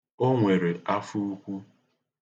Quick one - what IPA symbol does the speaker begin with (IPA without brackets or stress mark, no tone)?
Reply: o